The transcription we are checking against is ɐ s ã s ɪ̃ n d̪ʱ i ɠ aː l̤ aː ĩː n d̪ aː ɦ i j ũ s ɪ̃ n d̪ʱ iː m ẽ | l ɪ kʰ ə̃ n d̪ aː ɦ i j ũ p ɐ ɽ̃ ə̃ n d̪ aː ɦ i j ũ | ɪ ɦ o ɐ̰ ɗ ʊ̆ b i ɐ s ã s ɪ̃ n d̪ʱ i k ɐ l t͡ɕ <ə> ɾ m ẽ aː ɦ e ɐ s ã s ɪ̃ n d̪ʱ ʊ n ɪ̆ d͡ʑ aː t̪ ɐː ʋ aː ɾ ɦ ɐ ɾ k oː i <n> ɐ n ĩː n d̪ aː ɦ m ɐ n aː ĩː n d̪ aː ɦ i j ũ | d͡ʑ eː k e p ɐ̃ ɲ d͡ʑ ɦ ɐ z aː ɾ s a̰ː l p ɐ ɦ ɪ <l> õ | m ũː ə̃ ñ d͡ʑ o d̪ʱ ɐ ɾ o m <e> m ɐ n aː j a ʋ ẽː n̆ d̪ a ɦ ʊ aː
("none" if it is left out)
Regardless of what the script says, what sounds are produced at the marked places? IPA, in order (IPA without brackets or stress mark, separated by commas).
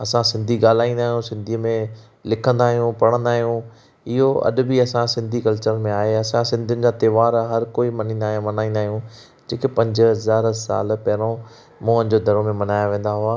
ə, m, ɾ, ẽ